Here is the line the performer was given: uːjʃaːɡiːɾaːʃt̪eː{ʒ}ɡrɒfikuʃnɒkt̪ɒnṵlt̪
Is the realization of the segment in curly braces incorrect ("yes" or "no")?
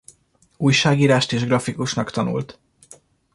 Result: no